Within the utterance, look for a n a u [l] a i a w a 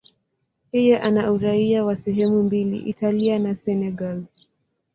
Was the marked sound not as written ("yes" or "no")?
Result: yes